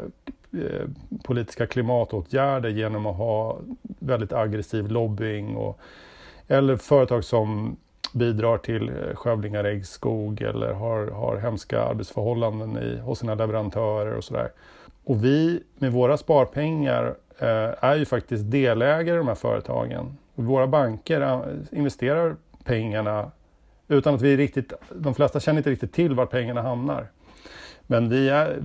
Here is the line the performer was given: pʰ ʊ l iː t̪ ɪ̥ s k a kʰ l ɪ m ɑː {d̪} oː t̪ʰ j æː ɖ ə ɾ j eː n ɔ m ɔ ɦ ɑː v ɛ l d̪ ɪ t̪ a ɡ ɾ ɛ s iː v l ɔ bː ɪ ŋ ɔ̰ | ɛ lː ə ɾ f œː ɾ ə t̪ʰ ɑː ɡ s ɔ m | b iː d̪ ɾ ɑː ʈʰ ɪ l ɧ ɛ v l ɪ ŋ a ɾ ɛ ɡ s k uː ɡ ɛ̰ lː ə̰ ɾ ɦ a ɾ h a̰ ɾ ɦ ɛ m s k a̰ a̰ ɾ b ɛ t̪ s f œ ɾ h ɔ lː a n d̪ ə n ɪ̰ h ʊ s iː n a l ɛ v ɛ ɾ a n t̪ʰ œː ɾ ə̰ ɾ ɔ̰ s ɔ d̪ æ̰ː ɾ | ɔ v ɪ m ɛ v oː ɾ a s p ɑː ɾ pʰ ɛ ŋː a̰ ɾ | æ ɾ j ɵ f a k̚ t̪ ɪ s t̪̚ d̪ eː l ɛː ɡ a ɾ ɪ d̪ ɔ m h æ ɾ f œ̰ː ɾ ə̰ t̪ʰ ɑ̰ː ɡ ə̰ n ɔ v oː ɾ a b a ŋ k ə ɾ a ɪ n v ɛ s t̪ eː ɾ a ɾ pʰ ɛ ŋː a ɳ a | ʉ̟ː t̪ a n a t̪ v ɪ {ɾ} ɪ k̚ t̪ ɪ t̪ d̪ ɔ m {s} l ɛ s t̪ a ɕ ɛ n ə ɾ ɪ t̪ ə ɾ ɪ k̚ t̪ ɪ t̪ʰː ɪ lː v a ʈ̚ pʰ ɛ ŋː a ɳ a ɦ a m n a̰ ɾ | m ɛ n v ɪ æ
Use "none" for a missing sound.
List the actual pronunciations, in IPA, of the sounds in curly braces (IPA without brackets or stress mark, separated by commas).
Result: t̪, ɾ, f